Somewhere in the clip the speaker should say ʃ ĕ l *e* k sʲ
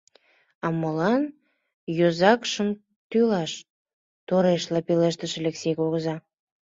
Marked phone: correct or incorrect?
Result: correct